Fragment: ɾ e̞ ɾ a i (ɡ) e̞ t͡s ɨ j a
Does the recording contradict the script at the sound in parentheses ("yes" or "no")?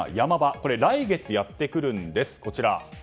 no